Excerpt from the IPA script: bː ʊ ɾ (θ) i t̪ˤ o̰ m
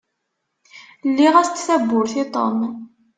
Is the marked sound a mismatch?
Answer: no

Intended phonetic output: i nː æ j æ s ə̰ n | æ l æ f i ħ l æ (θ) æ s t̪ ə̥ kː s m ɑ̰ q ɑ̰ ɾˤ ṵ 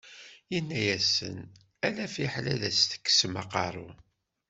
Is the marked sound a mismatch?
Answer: yes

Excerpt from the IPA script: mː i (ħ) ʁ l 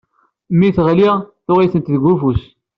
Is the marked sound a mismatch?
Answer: yes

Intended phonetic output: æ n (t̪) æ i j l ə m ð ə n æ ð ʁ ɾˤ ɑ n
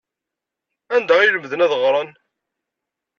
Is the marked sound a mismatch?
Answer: yes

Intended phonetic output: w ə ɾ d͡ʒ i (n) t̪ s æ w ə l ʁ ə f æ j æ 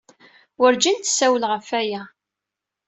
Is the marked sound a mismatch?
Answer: no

